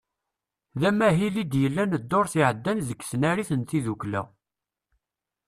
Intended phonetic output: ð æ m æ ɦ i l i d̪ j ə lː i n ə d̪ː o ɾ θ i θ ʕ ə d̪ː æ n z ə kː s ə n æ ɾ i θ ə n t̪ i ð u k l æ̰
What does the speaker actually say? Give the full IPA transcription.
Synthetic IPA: ð æ m æ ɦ i l i d̪ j ə lː æ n ə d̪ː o ɾ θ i ʕ ə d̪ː æ n z ə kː s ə n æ ɾ i θ ə n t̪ i ð u k l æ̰